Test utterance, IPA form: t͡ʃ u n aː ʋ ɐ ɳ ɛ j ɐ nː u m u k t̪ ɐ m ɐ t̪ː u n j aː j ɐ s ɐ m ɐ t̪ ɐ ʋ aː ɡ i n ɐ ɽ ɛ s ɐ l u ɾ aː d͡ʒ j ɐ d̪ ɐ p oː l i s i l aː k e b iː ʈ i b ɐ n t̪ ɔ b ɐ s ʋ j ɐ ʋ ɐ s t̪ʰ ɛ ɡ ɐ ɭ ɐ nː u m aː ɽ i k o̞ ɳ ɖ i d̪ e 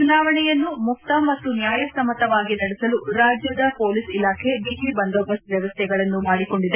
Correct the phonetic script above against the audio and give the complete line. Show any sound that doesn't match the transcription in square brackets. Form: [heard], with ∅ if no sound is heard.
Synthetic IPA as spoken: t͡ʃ u n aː ʋ ɐ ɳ ɛ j ɐ nː u m u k t̪ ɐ m ɐ t̪ː u n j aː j ɐ s ɐ m ɐ t̪ ɐ ʋ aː ɡ i n ɐ ɽ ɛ s ɐ l u ɾ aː d͡ʒ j ɐ d̪ ɐ p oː l i s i l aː [kʰ] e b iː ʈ i b ɐ n [d̪] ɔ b ɐ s ʋ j ɐ ʋ ɐ s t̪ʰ ɛ ɡ ɐ ɭ ɐ nː u m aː ɽ i k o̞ ɳ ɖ i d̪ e